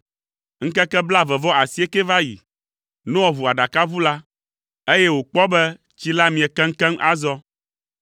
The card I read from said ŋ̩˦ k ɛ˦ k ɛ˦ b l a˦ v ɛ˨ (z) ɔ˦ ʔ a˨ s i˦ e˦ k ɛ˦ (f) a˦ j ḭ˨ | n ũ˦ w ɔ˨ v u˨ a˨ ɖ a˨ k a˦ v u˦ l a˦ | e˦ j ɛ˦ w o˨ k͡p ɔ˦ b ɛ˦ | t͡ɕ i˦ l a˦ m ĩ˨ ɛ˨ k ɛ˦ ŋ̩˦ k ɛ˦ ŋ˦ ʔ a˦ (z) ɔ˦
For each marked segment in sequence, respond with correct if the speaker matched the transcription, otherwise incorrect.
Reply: incorrect: v, incorrect: v, correct

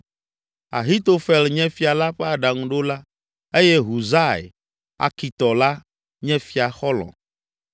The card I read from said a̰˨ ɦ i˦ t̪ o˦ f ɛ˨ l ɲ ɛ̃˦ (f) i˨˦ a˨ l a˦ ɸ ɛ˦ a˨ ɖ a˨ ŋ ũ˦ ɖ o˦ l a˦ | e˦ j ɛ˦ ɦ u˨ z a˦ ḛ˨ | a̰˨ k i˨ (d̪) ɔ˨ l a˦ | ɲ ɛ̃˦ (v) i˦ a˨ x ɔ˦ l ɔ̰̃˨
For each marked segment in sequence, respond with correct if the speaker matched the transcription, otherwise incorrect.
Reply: correct, incorrect: t̪, incorrect: f

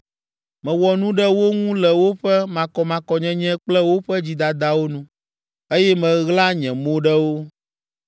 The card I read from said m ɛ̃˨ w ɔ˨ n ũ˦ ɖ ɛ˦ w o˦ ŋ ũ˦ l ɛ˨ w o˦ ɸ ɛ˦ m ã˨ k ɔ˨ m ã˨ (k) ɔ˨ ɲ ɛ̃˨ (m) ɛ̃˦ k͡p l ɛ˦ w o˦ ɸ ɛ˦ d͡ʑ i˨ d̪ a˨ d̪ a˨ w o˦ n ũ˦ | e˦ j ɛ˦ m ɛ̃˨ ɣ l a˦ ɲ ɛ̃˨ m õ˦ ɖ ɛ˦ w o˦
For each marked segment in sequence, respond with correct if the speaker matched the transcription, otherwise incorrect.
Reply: correct, incorrect: ɲ

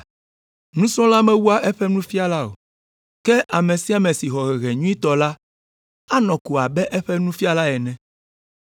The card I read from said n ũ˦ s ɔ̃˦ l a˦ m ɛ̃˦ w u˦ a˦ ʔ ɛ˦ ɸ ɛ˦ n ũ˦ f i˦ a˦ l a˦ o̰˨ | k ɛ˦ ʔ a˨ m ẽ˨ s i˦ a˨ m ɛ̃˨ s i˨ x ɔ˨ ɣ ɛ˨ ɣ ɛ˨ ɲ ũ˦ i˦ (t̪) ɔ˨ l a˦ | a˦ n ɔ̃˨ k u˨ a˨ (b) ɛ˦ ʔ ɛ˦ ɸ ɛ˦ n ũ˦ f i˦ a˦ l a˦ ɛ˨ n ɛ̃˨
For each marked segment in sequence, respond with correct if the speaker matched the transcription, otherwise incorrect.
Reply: correct, correct

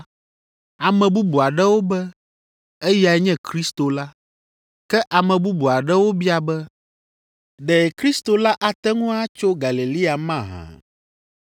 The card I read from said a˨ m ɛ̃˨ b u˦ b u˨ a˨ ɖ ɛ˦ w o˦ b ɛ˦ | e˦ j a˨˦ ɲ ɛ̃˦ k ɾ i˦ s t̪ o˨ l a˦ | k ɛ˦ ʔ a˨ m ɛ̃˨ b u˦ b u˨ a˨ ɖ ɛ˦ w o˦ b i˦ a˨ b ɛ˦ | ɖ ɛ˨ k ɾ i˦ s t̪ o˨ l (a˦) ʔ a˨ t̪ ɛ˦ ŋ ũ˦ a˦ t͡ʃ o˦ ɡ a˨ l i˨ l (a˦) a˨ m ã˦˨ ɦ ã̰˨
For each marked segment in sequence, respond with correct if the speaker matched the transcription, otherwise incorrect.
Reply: correct, incorrect: i˦

